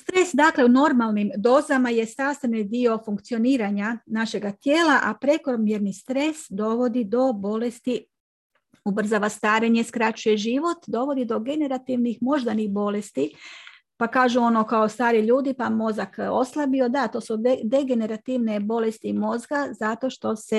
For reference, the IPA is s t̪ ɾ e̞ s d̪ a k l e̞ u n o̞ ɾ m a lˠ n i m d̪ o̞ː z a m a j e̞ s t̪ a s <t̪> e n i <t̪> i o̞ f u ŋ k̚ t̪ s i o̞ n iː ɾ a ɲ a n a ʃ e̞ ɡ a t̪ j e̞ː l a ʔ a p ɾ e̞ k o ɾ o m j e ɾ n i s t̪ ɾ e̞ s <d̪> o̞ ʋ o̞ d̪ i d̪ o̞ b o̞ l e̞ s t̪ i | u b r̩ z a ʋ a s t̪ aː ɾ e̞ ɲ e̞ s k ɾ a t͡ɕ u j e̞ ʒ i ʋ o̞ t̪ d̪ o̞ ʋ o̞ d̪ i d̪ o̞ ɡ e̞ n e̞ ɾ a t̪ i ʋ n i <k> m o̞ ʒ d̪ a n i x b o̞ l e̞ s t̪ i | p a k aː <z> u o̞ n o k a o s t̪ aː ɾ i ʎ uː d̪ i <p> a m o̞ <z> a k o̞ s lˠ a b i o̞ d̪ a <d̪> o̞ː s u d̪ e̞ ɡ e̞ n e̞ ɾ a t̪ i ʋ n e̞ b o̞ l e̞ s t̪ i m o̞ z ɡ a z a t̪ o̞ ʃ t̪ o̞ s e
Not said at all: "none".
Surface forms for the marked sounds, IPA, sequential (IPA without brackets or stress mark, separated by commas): t̪, d̪, d̪, x, ʒ, p, z, t̪